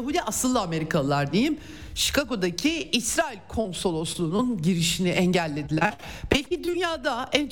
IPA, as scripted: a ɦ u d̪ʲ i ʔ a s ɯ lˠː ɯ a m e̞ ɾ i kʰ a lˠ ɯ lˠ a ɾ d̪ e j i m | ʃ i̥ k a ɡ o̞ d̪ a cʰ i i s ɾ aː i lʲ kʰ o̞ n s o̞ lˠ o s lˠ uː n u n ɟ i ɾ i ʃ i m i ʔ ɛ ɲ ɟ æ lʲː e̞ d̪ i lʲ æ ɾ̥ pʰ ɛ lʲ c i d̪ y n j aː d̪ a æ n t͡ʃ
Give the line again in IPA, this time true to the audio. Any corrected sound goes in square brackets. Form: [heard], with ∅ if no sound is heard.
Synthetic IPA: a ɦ u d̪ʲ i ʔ a s ɯ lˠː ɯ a m e̞ ɾ i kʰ a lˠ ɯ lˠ a ɾ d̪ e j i m | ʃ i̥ k a ɡ o̞ d̪ a cʰ i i s ɾ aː i lʲ kʰ o̞ n s o̞ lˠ o s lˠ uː n u n ɟ i ɾ i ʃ i [n] i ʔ ɛ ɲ ɟ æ lʲː e̞ d̪ i lʲ æ ɾ̥ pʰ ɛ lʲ c i d̪ y n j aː d̪ a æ n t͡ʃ